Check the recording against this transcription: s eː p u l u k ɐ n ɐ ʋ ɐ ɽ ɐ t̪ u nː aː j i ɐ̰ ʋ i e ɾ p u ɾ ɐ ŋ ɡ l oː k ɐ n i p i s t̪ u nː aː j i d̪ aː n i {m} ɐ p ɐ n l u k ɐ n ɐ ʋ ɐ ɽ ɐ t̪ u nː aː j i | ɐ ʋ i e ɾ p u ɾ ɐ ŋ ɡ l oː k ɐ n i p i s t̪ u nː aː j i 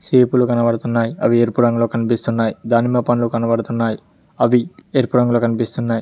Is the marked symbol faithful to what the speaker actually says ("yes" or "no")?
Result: yes